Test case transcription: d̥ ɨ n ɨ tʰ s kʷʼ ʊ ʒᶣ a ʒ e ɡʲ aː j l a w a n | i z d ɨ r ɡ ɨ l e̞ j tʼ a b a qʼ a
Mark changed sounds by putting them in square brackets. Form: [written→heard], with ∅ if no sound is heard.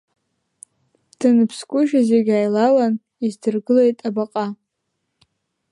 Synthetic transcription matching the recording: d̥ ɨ n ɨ [tʰ→pʰ] s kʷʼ ʊ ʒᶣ a [ʒ→z] e ɡʲ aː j l a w a n | i z d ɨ r ɡ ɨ l e̞ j tʼ a b a qʼ a